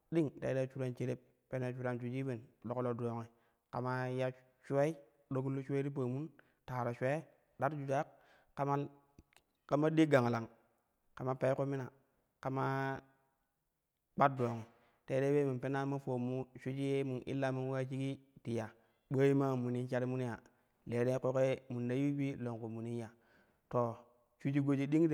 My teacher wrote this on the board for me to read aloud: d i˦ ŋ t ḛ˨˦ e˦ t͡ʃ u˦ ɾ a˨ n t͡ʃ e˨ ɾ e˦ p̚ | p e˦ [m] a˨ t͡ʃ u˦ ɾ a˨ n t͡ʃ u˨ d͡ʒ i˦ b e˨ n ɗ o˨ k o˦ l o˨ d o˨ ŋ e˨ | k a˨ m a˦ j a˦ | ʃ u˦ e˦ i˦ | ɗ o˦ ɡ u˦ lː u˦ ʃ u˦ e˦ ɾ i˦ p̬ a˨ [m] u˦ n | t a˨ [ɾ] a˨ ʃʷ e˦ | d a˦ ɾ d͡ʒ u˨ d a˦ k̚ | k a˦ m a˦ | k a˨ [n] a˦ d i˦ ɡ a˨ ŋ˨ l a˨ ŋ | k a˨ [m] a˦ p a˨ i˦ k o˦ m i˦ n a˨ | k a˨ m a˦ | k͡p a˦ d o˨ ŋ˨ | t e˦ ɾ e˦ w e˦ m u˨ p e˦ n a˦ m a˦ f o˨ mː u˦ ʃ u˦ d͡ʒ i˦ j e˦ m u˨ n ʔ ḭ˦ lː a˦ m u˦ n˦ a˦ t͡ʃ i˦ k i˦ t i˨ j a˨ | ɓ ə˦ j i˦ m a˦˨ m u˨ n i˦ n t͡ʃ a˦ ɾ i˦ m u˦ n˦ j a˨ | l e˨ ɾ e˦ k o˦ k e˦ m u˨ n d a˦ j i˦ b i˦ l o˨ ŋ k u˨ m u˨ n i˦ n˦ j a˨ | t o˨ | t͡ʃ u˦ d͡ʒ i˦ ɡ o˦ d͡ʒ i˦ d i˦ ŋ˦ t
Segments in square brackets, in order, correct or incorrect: incorrect: n, correct, correct, incorrect: m, correct

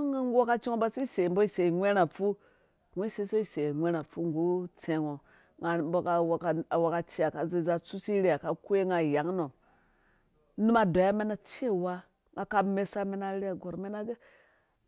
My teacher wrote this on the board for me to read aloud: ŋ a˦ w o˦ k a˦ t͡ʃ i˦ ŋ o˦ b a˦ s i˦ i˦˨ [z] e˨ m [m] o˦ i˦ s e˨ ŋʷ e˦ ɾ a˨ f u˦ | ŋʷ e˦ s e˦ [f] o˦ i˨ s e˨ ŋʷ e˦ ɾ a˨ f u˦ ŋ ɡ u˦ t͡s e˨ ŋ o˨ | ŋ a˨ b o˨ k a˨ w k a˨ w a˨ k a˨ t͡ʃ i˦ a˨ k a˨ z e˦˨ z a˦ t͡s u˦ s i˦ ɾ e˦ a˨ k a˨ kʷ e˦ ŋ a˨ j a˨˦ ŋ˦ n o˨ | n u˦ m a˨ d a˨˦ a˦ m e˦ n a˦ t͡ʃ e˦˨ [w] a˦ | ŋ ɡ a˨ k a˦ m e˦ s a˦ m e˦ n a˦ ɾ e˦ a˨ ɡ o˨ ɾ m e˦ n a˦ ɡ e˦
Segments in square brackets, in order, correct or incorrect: incorrect: s, incorrect: b, incorrect: s, correct

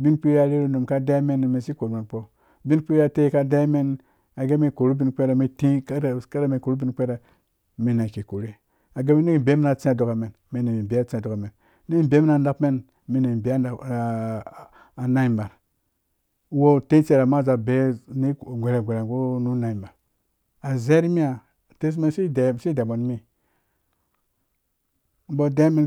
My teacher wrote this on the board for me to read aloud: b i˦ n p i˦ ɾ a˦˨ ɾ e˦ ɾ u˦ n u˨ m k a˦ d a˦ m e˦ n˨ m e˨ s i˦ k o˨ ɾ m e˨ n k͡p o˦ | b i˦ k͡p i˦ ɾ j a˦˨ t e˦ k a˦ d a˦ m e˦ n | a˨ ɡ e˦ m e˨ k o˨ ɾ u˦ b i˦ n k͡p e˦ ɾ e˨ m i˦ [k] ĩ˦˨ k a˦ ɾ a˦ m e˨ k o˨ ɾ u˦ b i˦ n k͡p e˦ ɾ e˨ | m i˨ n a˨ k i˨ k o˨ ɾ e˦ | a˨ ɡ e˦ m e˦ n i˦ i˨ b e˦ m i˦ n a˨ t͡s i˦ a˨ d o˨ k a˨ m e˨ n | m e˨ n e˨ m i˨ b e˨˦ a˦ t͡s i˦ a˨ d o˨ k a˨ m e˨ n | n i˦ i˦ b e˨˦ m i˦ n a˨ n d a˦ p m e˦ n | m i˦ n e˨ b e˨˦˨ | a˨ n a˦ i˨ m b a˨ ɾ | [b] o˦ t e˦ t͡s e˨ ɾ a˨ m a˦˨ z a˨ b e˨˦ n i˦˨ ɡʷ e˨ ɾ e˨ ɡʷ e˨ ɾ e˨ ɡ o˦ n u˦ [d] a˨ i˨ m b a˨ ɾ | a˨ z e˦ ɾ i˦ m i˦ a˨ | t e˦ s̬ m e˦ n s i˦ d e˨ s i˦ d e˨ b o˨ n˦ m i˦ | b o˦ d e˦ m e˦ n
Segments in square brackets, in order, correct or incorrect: incorrect: t, incorrect: w, incorrect: n

